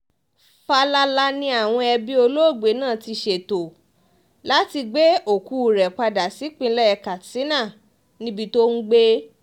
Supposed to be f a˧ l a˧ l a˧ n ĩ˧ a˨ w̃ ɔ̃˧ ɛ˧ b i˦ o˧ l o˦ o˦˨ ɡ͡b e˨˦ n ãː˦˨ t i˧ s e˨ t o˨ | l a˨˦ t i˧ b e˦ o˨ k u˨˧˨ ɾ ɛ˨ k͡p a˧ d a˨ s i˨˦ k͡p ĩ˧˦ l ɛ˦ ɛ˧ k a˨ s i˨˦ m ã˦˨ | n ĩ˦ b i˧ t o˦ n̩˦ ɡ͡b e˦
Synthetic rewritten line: f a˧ l a˧ l a˧ n ĩ˧ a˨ w̃ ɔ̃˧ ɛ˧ b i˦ o˧ l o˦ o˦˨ ɡ͡b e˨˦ n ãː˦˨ t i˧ ʃ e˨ t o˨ | l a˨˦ t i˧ ɡ͡b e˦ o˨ k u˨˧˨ ɾ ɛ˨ k͡p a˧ d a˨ s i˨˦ k͡p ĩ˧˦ l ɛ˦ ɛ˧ k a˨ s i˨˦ n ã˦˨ | n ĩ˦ b i˧ t o˦ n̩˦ ɡ͡b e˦